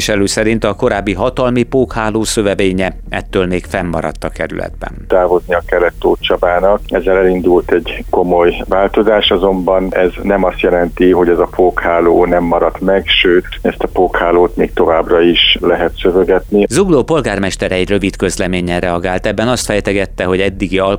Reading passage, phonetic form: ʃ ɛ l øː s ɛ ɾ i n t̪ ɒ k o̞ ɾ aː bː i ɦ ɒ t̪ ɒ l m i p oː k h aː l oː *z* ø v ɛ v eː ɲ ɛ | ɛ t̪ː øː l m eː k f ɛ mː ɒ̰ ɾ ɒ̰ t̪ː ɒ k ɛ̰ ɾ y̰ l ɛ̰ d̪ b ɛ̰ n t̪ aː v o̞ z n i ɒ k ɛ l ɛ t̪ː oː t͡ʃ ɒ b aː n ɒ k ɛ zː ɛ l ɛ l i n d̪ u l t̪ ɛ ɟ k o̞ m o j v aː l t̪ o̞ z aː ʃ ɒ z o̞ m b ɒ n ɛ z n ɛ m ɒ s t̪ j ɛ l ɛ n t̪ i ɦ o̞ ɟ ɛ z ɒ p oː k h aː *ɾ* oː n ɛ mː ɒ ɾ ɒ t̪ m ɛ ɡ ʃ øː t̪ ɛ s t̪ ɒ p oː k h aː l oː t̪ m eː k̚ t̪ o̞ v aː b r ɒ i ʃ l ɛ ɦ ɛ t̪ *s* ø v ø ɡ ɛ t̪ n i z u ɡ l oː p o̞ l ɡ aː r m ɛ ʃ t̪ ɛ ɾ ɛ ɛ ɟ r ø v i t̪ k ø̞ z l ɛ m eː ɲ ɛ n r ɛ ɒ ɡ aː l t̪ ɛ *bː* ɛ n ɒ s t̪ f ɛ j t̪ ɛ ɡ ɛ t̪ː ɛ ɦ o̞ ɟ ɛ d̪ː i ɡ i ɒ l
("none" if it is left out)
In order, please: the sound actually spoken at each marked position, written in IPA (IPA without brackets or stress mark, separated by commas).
s, l, s, bː